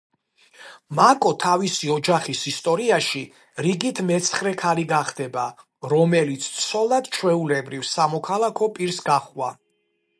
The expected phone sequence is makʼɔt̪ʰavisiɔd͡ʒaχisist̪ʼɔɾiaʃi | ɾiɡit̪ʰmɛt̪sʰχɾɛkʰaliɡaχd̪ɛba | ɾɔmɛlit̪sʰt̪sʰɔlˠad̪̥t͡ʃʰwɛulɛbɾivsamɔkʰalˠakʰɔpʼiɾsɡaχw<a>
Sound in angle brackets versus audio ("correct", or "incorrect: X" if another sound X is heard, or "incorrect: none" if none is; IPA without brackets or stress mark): correct